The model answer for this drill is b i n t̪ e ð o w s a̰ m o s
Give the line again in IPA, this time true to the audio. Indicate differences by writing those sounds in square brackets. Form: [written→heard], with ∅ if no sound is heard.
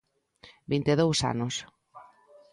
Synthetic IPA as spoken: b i n t̪ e ð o w s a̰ [m→n] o s